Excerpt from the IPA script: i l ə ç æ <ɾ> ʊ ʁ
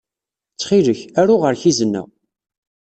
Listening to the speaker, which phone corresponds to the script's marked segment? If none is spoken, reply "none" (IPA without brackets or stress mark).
ɾ